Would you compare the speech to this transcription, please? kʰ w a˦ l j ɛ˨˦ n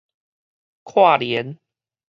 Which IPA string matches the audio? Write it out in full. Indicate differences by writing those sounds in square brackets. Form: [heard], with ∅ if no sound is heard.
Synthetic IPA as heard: kʰ w [a˥˨] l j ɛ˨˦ n

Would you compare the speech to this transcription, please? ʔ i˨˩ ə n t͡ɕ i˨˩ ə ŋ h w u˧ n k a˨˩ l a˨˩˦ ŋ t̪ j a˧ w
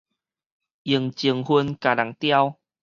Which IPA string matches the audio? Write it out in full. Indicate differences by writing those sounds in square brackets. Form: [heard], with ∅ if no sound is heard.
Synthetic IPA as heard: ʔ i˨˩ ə [ŋ] t͡ɕ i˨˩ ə ŋ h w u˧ n k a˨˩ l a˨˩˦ ŋ t̪ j a˧ w

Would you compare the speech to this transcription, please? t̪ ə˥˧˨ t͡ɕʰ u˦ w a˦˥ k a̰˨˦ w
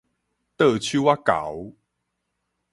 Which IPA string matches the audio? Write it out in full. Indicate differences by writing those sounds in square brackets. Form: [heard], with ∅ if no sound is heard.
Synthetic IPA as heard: t̪ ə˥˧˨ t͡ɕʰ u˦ w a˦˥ k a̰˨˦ w

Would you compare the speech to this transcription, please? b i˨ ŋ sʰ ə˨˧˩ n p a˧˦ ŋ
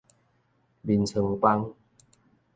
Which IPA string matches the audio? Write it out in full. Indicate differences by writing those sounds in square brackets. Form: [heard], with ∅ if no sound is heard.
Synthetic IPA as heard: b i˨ [n] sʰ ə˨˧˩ [ŋ] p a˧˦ ŋ

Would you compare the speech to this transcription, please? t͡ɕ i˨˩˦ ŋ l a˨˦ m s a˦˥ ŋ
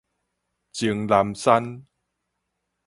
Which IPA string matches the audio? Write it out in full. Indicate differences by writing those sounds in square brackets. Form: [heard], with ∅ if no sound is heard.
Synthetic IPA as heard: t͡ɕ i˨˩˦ ŋ l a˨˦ m s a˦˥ [n]

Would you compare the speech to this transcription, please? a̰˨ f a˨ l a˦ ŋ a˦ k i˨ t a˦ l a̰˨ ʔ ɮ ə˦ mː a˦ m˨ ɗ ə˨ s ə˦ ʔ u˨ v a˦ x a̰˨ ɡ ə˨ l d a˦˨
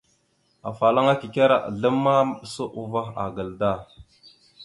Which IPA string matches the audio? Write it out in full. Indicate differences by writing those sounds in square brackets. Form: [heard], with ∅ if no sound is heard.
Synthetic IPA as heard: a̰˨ f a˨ l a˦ ŋ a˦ k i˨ [k] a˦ [ɾ] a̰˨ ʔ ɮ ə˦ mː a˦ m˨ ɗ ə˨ s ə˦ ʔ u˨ v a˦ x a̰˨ ɡ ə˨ l d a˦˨

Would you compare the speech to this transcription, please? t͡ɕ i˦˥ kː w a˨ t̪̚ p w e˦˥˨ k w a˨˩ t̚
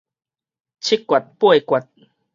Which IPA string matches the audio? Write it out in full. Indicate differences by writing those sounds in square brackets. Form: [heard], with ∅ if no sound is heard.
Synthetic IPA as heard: [t͡ɕʰ] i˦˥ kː w a˨ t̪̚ p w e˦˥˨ k w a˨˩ t̚

